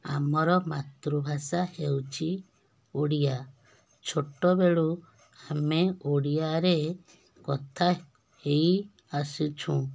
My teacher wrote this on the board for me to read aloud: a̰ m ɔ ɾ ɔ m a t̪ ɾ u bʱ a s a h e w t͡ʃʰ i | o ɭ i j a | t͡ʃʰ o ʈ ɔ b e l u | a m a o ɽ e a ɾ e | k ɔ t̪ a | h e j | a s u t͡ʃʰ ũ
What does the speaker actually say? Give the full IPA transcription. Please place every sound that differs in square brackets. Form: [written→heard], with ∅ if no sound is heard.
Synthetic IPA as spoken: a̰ m ɔ ɾ ɔ m a t̪ ɾ u bʱ a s a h e w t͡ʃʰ i | o [ɭ→ɽ] i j a | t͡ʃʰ o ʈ ɔ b e [l→ɭ] u | a m [a→e] o ɽ [e→i] a ɾ e | k ɔ [t̪→t̪ʰ] a | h e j | a s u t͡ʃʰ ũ